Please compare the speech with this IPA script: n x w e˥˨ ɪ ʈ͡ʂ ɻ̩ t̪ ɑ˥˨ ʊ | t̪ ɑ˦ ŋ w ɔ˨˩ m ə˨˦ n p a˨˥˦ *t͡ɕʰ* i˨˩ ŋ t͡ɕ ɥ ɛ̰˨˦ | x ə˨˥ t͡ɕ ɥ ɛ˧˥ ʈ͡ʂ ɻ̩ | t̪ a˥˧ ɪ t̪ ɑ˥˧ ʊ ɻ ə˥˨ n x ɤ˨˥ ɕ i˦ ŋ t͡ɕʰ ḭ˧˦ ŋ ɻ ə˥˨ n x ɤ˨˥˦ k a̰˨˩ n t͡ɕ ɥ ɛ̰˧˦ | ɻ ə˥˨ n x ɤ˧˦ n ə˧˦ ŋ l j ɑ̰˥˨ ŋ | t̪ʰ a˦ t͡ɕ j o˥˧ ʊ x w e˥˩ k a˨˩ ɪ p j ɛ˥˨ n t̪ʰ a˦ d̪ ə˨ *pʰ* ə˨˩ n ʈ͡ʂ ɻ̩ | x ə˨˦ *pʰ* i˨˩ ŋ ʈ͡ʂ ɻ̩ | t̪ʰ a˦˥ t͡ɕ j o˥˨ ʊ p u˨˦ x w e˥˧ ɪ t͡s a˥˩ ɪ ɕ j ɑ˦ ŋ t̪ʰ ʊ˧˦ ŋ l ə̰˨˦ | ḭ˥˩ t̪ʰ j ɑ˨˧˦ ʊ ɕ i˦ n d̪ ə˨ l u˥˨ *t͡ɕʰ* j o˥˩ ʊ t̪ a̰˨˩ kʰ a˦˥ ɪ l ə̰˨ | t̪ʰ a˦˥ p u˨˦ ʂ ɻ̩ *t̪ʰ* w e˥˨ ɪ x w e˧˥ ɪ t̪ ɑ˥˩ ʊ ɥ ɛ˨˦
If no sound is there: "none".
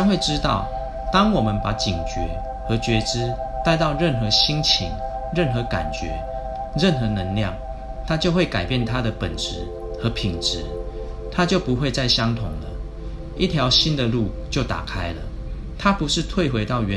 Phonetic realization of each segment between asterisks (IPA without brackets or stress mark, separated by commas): t͡ɕ, p, pʰ, t͡ɕ, t̪ʰ